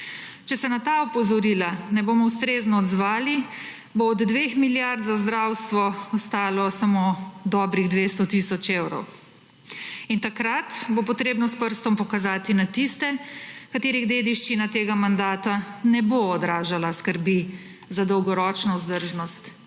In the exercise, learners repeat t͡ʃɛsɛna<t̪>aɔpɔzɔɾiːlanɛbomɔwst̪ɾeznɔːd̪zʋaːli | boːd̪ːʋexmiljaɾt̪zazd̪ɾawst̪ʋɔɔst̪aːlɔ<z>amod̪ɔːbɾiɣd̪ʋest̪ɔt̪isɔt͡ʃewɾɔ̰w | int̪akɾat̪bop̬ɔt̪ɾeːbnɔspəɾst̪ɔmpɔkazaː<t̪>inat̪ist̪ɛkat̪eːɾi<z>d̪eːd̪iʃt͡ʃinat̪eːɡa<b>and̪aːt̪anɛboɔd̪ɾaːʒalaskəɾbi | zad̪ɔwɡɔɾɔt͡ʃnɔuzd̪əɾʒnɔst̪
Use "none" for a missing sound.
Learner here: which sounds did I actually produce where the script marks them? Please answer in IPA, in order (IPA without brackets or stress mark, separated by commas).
t̪, s, t̪, ɣ, m